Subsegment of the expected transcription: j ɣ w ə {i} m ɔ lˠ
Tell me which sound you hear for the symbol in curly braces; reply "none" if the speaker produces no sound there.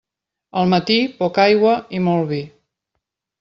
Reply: i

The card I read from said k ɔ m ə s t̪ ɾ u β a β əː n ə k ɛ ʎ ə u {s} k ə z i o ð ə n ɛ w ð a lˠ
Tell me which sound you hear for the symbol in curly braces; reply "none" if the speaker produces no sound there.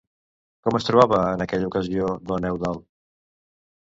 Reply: none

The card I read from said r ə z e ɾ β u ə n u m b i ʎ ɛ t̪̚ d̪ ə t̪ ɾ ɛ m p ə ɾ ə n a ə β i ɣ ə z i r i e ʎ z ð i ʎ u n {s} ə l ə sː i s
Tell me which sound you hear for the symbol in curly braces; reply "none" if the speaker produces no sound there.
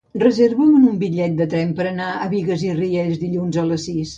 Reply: z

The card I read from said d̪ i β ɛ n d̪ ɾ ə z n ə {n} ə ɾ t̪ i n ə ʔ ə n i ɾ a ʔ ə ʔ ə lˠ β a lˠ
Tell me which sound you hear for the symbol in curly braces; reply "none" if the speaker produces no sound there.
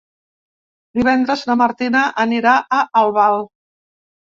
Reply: m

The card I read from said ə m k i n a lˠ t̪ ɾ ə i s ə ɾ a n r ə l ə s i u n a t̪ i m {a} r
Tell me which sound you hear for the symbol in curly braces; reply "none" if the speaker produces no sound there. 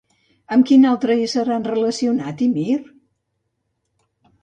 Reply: i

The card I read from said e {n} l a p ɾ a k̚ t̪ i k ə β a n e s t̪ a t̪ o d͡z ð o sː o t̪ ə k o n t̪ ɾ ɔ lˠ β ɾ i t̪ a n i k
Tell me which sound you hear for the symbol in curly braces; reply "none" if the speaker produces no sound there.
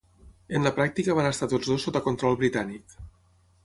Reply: n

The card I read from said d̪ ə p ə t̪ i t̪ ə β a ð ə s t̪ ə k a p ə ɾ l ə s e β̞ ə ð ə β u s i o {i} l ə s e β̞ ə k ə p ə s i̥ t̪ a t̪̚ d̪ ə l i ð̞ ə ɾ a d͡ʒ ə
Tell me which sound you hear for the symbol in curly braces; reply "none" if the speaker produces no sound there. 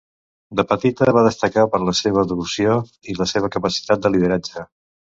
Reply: i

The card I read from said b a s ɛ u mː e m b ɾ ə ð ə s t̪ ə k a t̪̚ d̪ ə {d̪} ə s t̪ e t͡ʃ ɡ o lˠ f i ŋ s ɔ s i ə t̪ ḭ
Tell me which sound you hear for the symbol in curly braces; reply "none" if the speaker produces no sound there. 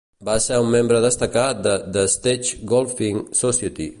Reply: d̪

